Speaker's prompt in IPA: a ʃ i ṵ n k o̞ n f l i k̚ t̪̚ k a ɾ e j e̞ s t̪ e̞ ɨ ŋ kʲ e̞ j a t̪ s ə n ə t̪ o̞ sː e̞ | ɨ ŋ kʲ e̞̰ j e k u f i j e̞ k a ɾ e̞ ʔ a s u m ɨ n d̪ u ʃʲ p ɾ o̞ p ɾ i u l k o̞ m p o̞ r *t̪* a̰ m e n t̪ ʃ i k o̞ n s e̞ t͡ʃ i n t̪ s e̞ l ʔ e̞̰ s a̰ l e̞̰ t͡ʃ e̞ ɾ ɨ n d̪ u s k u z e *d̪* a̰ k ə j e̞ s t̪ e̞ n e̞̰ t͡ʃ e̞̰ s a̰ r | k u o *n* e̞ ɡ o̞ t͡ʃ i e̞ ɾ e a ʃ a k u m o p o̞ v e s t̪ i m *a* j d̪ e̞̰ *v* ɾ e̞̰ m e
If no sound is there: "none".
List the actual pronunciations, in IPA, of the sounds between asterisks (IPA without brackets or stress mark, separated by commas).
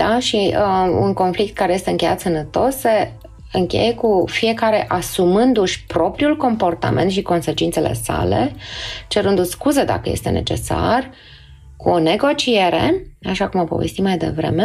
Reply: t̪, d̪, n, a, v